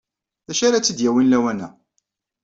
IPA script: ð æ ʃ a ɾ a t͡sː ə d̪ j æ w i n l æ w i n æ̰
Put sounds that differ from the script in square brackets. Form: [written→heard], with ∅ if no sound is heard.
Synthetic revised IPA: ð æ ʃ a ɾ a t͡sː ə d̪ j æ w i n l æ w [i→æ] n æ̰

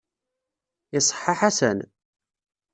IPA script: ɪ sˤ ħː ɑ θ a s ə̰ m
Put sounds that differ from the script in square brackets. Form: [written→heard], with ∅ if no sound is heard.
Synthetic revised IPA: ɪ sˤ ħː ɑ [θ→ħ] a s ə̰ [m→n]

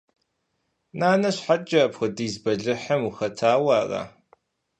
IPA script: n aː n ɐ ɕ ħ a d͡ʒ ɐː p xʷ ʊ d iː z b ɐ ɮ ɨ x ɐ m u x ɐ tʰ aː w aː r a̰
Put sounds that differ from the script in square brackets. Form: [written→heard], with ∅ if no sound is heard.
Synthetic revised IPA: n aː n ɐ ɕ ħ a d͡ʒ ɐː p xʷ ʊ d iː z b ɐ ɮ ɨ [x→ħ] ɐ m u x ɐ tʰ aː w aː r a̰

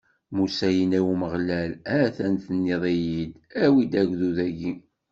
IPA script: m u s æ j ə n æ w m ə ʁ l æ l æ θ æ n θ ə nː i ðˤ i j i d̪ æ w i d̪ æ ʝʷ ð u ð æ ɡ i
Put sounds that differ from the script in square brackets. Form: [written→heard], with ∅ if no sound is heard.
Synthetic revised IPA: m u s æ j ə n æ w m ə ʁ l æ l æ θ æ n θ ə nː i ðˤ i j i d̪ æ w i d̪ æ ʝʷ ð u ð æ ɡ i

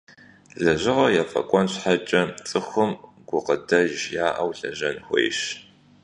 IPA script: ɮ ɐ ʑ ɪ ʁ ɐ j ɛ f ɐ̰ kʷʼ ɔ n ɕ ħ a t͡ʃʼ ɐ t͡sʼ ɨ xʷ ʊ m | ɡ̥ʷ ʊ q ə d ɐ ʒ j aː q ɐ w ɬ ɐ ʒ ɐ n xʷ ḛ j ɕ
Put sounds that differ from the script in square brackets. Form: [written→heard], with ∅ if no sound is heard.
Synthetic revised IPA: ɮ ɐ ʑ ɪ ʁ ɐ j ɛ f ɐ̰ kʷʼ ɔ n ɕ ħ a t͡ʃʼ ɐ t͡sʼ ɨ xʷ ʊ m | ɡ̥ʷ ʊ q ə d ɐ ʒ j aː [q→ʔ] ɐ w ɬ ɐ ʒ ɐ n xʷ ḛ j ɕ

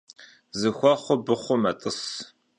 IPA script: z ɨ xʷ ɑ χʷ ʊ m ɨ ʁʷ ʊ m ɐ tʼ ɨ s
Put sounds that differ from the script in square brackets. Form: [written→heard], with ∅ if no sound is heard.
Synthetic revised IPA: z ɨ xʷ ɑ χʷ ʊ [m→b] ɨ [ʁʷ→χʷ] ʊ m ɐ tʼ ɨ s

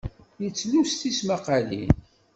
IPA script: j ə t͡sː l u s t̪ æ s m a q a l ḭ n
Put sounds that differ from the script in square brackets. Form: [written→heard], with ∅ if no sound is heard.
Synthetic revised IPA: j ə t͡sː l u s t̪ [æ→i] s m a q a l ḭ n

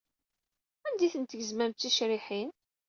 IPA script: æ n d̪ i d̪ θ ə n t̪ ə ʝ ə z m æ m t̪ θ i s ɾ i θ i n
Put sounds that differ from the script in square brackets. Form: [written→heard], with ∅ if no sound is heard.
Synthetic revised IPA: æ n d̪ i [d̪→∅] θ ə n t̪ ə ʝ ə z m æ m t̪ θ i [s→ʃ] ɾ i [θ→ħ] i n

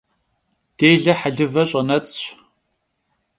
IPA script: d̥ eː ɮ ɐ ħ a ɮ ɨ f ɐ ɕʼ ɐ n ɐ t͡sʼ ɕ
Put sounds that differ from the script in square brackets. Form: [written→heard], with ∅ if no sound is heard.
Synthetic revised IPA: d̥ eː ɮ ɐ ħ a ɮ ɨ [f→v] ɐ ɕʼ ɐ n ɐ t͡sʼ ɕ

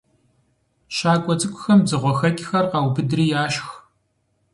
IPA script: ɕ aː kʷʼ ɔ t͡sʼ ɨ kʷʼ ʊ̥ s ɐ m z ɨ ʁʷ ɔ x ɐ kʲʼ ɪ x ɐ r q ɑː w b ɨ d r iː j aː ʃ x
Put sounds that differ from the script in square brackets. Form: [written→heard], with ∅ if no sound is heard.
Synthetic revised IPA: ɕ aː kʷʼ ɔ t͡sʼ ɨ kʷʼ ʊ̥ [s→x] ɐ m z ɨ ʁʷ ɔ x ɐ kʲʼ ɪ x ɐ r q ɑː w b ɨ d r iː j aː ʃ x

